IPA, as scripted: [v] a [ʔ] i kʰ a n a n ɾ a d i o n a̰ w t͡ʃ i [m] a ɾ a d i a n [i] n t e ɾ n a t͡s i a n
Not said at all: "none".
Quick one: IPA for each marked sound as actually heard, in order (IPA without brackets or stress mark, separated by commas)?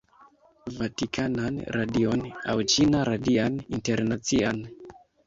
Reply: v, t, n, i